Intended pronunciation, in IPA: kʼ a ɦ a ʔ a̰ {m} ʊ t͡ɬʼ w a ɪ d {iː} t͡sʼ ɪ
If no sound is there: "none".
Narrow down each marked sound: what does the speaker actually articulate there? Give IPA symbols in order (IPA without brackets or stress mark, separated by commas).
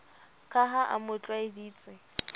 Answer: m, iː